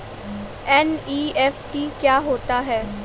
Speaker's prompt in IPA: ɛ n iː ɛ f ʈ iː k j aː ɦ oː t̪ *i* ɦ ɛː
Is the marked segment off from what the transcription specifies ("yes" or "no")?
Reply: yes